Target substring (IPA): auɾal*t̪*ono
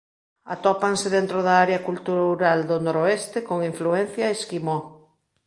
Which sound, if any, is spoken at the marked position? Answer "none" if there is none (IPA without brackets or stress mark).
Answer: d̪